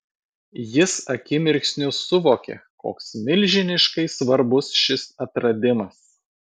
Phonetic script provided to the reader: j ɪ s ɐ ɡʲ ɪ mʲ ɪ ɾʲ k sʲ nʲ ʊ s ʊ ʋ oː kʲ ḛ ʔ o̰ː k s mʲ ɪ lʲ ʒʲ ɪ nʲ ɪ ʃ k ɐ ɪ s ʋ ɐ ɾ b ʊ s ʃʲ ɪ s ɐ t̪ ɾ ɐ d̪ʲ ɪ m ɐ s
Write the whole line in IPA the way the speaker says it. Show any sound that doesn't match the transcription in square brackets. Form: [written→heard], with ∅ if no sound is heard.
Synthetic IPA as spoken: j ɪ s ɐ [ɡʲ→kʲ] ɪ mʲ ɪ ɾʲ k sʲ nʲ ʊ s ʊ ʋ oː kʲ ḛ [ʔ→k] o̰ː k s mʲ ɪ lʲ ʒʲ ɪ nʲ ɪ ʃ k ɐ ɪ s ʋ ɐ ɾ b ʊ s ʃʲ ɪ s ɐ t̪ ɾ ɐ d̪ʲ ɪ m ɐ s